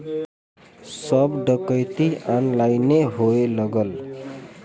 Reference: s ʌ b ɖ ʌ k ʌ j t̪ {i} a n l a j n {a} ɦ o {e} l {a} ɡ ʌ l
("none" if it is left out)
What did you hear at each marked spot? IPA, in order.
i, e, e, ʌ

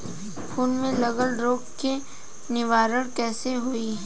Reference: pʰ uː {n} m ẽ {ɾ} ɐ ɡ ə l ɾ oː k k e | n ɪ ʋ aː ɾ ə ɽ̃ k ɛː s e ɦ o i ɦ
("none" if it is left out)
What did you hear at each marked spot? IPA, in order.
n, l

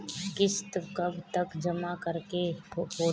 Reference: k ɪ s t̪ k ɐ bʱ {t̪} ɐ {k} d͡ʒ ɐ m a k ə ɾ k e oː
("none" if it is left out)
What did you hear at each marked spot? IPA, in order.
t̪, k

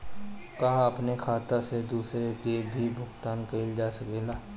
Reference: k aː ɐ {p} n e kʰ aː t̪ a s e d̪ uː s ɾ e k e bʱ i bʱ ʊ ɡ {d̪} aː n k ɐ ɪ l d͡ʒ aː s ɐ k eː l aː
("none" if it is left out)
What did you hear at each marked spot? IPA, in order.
p, t̪

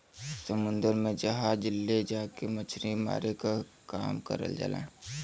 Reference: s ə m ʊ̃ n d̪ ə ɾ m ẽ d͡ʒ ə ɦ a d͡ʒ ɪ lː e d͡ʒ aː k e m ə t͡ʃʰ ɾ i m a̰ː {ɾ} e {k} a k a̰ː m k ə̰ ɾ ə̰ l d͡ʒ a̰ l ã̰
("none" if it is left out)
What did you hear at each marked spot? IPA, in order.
ɾ, k

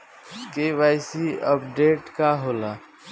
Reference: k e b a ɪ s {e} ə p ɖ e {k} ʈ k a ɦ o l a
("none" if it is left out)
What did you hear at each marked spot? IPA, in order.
i, none

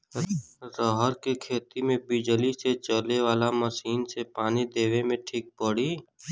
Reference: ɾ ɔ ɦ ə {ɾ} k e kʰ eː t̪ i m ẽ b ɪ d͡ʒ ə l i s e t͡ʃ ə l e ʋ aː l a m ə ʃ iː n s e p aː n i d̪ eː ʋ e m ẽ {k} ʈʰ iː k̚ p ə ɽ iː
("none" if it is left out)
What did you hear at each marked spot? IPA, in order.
ɾ, none

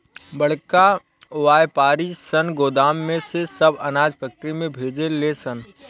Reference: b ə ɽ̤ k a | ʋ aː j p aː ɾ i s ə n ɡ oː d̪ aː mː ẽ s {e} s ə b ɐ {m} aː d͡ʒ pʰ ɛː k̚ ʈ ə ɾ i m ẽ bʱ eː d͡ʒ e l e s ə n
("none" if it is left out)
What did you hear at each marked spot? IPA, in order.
e, n

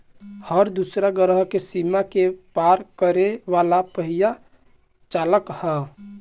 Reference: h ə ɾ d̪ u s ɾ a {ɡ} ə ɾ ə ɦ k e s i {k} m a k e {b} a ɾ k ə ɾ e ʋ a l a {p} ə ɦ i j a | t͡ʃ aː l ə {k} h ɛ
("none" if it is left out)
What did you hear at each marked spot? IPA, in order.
ɡ, none, p, p, k

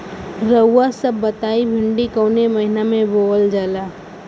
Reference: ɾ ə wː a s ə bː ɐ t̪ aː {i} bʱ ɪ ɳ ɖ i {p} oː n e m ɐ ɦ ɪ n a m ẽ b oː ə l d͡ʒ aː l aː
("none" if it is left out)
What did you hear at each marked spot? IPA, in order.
i, k

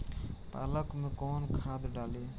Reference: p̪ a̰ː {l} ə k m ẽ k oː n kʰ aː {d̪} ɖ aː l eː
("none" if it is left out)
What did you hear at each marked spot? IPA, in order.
l, d̪

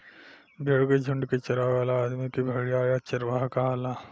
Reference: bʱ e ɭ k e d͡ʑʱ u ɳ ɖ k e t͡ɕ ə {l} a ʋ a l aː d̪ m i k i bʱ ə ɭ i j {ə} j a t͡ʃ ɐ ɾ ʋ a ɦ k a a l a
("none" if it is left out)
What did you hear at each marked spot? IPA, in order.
ɾ, a

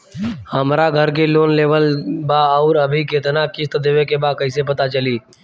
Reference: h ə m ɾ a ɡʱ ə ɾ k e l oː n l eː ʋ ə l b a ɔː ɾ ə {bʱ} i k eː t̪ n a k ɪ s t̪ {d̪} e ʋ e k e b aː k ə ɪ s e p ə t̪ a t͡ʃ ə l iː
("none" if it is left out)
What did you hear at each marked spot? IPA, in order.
bʱ, d̪

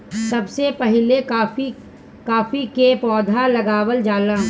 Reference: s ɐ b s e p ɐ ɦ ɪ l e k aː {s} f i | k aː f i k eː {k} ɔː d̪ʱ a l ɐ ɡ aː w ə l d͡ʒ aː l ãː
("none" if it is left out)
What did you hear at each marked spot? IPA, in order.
none, p

